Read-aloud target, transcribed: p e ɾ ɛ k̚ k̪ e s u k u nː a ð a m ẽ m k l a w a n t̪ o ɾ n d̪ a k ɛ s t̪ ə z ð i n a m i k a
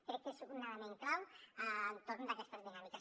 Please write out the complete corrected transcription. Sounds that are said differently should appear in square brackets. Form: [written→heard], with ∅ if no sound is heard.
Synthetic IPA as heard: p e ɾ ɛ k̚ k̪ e s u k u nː a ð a m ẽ [m→ŋ] k l a w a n t̪ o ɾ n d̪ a k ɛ s t̪ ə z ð i n a m i k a